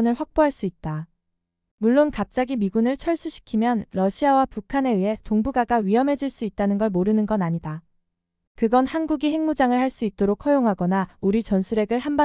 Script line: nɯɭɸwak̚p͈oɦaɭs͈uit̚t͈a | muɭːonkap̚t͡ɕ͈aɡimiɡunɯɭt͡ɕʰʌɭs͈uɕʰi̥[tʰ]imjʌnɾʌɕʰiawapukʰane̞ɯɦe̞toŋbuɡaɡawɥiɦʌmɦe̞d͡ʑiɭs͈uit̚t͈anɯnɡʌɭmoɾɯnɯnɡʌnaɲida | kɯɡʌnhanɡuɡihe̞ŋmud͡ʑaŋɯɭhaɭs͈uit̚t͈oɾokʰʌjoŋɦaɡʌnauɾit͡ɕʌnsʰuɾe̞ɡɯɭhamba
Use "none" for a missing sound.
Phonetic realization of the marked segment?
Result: kʰ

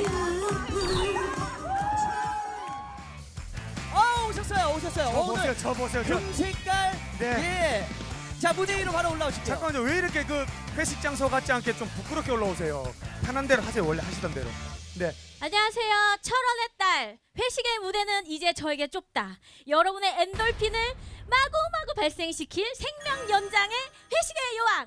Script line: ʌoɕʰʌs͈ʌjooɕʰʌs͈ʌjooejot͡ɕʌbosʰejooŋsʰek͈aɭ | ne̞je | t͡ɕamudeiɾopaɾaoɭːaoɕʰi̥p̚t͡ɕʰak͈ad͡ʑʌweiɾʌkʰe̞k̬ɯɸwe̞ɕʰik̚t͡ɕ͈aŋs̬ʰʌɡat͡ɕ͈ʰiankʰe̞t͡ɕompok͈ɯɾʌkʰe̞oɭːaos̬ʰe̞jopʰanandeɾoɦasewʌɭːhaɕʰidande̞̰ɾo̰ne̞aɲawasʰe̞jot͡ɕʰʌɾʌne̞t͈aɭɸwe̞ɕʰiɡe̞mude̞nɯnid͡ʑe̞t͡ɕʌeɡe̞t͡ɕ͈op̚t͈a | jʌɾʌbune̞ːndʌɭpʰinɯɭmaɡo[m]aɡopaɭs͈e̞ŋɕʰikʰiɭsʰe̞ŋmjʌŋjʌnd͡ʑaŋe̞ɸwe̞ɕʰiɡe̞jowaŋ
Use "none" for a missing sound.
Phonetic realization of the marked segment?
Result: m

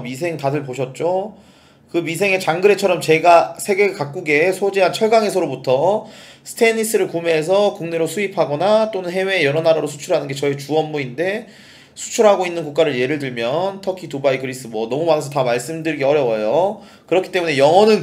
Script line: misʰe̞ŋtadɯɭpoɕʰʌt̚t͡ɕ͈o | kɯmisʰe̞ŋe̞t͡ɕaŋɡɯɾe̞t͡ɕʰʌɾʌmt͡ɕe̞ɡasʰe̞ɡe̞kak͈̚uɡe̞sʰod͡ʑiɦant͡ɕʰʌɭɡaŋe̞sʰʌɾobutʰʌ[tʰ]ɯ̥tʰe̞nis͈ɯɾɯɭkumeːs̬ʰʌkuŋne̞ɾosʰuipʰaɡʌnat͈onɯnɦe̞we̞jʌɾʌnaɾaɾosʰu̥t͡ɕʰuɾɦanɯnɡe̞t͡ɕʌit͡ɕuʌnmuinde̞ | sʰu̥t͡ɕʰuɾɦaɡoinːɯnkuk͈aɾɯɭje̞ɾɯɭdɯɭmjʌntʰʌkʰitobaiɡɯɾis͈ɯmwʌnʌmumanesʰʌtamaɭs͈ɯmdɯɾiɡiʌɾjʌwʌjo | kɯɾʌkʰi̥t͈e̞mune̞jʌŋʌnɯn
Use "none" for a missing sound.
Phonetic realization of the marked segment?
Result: sʰ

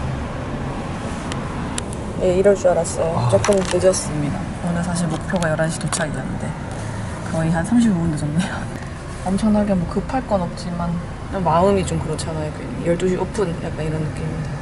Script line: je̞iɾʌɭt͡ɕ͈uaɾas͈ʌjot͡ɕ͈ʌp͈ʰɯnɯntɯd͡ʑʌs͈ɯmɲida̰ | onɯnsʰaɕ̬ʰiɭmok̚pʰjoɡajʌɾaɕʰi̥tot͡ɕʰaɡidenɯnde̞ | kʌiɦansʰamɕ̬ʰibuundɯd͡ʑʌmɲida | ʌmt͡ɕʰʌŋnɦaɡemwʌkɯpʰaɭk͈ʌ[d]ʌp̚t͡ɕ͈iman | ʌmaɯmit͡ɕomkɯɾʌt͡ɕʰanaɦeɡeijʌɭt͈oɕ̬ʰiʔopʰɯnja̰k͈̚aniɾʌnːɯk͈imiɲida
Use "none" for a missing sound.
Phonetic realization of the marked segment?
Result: n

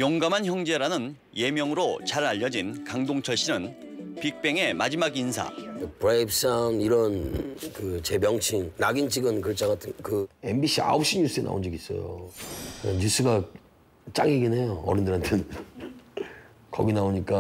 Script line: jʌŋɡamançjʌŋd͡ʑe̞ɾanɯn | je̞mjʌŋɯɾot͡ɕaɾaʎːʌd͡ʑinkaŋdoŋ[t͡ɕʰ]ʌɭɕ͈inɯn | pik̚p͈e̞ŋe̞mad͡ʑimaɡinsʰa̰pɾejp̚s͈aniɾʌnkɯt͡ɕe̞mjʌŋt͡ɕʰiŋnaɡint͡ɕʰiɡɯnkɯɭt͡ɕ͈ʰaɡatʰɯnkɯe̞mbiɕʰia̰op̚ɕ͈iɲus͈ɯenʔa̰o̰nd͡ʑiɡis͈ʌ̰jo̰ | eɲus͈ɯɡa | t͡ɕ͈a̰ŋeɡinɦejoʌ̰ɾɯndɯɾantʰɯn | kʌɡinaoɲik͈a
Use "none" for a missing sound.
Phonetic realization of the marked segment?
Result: t͡ɕʰ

